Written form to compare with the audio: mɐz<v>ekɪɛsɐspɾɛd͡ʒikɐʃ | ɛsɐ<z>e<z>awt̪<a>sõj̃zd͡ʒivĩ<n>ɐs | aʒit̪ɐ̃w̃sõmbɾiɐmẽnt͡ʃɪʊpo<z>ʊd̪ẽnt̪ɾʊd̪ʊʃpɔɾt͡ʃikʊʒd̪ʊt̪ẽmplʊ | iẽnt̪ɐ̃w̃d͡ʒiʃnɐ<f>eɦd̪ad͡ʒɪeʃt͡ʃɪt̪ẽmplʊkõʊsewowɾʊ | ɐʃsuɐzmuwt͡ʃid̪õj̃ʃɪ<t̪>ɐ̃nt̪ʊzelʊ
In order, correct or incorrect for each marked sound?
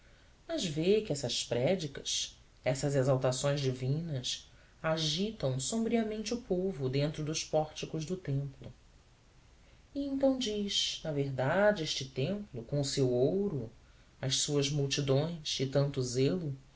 correct, correct, correct, correct, correct, incorrect: v, incorrect: v, correct

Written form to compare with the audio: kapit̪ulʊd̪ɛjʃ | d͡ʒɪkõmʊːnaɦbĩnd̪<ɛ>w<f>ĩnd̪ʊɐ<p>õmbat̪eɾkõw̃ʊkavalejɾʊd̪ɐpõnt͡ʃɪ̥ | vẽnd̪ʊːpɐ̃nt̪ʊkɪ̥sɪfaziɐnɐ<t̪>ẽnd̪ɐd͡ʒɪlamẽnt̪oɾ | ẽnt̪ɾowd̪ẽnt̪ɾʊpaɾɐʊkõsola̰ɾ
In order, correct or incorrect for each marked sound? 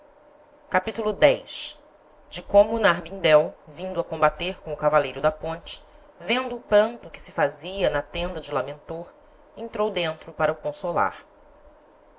correct, incorrect: v, incorrect: k, correct

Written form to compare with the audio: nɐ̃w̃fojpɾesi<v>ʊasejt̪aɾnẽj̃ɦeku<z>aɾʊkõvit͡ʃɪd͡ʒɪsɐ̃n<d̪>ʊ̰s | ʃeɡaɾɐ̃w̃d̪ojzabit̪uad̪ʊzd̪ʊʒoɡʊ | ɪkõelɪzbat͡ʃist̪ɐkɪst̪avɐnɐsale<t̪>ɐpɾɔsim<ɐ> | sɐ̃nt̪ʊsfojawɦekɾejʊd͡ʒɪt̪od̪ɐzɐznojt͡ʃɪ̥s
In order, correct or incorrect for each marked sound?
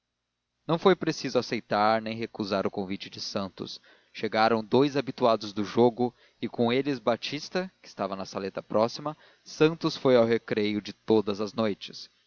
incorrect: z, correct, incorrect: t̪, correct, correct

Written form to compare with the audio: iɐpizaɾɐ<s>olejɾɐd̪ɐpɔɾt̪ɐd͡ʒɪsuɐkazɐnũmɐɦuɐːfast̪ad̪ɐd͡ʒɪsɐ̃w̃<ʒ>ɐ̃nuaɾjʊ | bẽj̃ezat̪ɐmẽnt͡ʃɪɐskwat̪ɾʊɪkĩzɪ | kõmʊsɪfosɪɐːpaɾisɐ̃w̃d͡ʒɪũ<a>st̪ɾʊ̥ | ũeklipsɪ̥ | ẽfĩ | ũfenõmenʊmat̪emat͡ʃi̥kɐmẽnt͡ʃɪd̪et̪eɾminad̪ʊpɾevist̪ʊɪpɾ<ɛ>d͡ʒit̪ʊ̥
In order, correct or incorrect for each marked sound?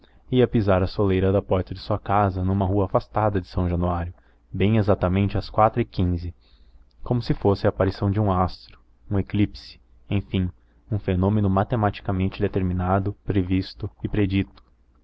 correct, correct, correct, incorrect: e

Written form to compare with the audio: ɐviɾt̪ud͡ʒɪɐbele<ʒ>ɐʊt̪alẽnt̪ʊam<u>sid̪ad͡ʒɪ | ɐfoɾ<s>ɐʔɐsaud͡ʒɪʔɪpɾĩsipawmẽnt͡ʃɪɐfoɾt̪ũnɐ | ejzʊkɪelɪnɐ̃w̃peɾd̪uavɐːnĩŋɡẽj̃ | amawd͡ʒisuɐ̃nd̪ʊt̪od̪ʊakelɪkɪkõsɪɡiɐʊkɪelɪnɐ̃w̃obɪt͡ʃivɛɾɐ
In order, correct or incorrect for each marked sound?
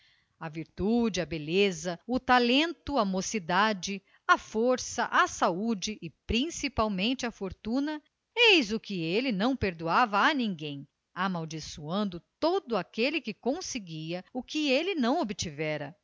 incorrect: z, incorrect: o, correct

